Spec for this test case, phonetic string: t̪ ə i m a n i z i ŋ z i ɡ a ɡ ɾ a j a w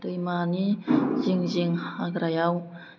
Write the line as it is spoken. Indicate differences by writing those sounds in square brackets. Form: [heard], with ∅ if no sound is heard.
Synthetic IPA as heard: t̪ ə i m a n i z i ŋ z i [ŋ] a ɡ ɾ a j a w